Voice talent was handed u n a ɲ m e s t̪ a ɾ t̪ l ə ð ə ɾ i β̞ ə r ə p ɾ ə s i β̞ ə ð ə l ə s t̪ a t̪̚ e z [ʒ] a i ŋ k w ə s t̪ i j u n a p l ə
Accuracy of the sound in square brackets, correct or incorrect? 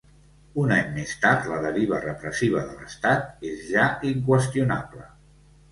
correct